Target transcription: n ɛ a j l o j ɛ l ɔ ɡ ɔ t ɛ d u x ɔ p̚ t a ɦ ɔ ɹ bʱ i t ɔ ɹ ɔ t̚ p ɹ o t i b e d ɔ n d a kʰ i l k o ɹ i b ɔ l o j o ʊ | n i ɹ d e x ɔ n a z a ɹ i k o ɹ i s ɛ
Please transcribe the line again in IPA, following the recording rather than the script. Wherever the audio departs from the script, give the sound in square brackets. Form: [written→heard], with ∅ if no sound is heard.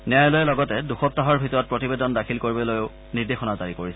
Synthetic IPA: n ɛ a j l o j ɛ l ɔ ɡ ɔ t ɛ d u x ɔ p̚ t a ɦ ɔ ɹ bʱ i t ɔ ɹ ɔ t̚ p ɹ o t i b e d ɔ n d a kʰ i l k o ɹ i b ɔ l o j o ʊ | n i ɹ d e x ɔ n a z a ɹ i k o ɹ i s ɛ